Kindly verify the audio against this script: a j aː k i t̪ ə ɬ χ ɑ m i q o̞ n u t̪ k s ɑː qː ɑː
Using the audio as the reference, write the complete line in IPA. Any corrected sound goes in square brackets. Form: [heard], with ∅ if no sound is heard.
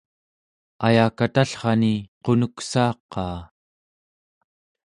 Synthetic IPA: a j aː k [a] t̪ [a] ɬ χ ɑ [n] i q o̞ n u [∅] k s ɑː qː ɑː